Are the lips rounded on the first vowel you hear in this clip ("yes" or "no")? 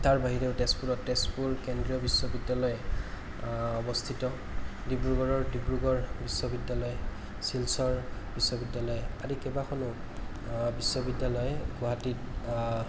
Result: no